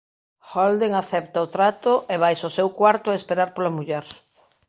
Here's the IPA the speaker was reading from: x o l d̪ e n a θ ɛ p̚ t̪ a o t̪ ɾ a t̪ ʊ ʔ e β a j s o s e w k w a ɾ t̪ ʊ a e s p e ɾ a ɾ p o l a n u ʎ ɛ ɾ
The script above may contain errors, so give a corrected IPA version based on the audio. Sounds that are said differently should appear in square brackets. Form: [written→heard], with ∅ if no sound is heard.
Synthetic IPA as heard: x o l d̪ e [n→ŋ] a θ ɛ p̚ t̪ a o t̪ ɾ a t̪ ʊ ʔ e β a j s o s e w k w a ɾ t̪ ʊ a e s p e ɾ a ɾ p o l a [n→m] u ʎ ɛ ɾ